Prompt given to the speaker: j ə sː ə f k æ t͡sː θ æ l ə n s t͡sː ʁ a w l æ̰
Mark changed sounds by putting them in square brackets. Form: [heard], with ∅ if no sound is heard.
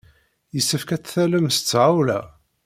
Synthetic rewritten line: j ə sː ə f k æ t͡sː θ æ l ə [m] s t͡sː [ʕ] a w l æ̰